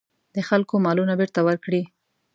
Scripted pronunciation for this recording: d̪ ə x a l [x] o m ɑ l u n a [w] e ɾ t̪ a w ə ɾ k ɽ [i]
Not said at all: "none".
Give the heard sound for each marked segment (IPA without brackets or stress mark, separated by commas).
k, b, i